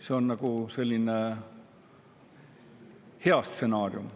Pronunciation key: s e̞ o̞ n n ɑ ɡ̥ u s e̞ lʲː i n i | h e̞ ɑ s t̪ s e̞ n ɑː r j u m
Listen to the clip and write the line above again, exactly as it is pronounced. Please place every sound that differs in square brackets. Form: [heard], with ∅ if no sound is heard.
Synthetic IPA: s e̞ o̞ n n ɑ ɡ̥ u s e̞ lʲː i n [e] | h e̞ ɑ s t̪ s e̞ n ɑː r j u m